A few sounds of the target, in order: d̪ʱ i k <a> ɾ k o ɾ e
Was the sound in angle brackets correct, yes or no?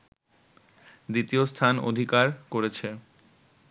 yes